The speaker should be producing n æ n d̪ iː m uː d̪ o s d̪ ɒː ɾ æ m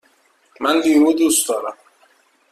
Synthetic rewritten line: m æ n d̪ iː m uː d̪ u s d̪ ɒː ɾ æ m